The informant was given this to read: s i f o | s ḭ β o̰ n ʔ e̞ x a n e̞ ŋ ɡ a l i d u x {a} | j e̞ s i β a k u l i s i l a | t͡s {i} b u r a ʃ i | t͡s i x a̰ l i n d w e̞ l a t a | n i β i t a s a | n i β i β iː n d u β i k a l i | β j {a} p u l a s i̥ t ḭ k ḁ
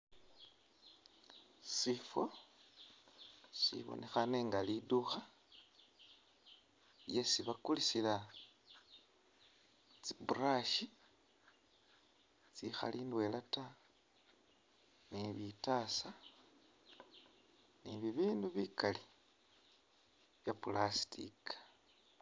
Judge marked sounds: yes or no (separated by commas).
yes, yes, yes